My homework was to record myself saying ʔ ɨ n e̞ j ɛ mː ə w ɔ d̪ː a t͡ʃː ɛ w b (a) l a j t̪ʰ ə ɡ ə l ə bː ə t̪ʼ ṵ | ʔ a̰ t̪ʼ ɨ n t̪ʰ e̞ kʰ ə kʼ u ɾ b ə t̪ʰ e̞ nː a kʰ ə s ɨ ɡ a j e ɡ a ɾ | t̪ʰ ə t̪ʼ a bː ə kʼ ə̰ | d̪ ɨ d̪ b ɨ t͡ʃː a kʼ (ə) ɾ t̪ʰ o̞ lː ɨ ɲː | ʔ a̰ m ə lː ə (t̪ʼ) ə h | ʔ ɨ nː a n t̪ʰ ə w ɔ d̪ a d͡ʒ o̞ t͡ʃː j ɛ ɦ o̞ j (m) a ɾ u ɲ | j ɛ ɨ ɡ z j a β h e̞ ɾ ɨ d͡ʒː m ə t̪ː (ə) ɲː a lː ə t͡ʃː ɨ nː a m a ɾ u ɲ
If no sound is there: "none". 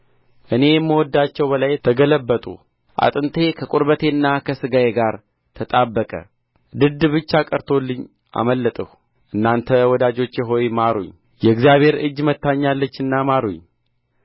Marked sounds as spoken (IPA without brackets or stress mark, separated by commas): ə, ə, t̪ʼ, m, a